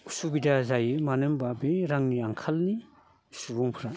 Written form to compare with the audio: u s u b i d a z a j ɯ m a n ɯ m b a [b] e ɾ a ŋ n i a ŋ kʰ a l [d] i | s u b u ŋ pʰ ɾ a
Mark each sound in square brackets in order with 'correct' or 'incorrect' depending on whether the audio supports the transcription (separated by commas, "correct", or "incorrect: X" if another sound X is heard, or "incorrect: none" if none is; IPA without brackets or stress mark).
correct, incorrect: n